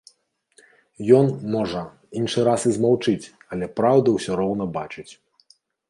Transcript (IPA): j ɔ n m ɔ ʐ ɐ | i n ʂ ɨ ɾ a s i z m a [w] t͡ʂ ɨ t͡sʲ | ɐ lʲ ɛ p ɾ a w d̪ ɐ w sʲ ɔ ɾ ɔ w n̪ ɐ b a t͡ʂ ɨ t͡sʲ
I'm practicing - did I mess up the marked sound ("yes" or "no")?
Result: no